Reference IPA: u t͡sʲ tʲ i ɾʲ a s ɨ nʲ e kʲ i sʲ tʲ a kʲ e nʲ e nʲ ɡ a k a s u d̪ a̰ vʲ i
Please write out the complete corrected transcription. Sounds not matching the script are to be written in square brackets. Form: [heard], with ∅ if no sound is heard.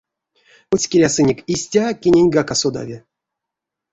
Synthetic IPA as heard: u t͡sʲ [kʲ] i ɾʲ a s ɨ nʲ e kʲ i sʲ tʲ a kʲ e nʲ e nʲ ɡ a k a s [o] d̪ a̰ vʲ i